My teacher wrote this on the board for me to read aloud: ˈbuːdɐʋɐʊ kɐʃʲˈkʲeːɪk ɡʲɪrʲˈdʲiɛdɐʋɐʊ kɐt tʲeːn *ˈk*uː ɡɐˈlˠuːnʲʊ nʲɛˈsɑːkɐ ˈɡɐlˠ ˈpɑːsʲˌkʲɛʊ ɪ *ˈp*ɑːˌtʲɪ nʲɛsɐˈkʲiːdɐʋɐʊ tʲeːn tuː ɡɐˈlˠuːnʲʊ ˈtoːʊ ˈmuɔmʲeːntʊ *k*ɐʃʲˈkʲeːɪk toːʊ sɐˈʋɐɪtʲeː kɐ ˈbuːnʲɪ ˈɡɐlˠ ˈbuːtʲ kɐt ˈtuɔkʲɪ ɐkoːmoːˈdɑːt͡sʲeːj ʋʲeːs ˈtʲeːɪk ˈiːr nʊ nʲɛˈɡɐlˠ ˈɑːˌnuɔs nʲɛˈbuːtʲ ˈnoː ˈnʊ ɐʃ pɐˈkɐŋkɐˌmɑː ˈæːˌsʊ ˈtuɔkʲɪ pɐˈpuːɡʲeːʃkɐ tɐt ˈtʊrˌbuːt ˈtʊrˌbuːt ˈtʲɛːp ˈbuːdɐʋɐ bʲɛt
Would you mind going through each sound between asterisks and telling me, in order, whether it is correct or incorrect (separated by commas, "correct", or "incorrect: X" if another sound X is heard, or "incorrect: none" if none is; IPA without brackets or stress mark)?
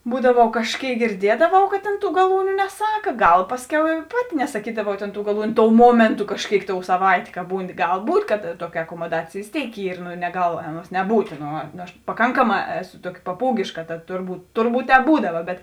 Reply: incorrect: t, correct, correct